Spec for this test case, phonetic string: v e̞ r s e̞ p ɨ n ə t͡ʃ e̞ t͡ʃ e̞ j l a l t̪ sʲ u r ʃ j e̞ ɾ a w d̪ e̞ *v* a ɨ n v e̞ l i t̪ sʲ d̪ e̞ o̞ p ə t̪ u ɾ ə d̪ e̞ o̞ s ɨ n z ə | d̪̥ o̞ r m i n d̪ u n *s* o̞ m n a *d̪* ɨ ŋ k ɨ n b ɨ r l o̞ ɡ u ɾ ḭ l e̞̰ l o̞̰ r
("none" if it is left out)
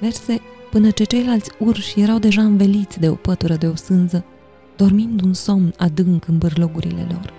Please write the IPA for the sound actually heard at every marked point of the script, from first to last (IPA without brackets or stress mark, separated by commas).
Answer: ʒ, s, d̪